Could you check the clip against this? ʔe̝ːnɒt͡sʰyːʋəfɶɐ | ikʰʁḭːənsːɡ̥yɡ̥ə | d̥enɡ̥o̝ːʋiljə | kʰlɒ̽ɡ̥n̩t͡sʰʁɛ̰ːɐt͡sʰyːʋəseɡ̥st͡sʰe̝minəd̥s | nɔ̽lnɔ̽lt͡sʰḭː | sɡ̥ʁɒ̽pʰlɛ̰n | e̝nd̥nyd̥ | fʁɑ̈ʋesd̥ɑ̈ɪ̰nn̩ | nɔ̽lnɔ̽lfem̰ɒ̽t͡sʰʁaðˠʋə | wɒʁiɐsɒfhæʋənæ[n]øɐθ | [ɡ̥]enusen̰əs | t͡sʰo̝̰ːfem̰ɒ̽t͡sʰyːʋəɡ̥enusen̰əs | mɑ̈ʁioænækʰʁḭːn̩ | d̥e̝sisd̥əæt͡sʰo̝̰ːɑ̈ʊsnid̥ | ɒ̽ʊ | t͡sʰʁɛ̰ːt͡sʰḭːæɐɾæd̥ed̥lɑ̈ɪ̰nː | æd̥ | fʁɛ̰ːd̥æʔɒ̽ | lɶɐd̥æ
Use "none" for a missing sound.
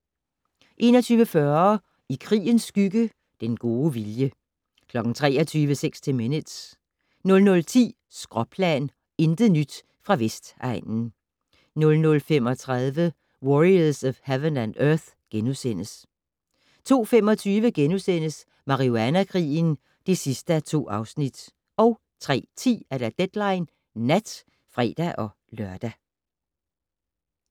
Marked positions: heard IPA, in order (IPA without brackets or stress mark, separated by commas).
n, ɡ̥